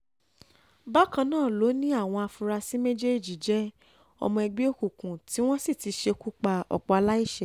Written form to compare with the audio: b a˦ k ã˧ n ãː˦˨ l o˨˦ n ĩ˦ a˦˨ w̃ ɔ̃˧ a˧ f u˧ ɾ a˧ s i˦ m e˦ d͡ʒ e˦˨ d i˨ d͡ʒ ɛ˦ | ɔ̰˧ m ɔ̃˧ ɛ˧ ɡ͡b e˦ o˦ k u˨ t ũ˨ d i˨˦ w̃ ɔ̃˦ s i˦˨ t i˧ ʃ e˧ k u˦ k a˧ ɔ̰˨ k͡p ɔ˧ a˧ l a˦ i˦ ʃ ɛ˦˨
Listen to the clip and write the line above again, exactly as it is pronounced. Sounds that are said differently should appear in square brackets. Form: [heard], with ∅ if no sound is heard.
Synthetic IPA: b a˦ k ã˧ n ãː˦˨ l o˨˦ n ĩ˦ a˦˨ w̃ ɔ̃˧ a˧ f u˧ ɾ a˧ s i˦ m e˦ d͡ʒ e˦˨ [d͡ʒ] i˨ d͡ʒ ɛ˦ | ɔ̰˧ m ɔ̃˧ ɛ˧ ɡ͡b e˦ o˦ k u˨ [k] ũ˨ [t] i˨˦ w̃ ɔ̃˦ s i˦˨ t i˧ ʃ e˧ k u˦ [k͡p] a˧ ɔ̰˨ k͡p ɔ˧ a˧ l a˦ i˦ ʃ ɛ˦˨